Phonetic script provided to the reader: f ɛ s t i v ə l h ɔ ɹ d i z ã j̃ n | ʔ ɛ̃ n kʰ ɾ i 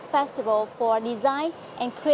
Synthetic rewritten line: f ɛ s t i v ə l f ɔ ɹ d i z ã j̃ n | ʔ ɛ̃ n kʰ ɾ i